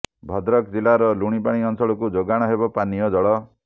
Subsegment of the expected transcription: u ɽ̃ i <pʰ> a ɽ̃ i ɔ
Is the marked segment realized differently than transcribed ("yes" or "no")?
yes